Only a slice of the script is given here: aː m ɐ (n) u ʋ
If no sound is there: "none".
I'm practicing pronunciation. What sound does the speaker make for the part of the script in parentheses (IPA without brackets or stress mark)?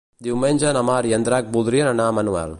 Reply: n